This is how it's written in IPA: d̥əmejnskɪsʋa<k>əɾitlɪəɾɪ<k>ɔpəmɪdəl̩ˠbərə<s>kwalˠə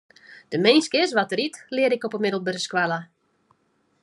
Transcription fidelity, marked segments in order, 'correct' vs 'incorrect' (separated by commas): incorrect, correct, correct